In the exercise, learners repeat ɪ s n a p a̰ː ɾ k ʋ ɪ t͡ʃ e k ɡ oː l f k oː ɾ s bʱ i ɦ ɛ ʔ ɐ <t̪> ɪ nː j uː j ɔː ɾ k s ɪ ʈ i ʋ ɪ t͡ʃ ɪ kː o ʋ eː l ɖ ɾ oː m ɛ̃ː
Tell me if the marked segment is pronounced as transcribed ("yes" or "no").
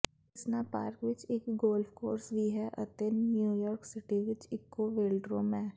yes